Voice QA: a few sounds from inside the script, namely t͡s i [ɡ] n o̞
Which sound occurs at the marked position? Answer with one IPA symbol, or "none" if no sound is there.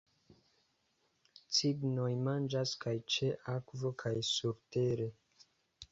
ɡ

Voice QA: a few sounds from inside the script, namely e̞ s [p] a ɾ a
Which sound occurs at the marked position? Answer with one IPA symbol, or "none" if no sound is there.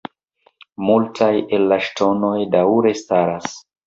t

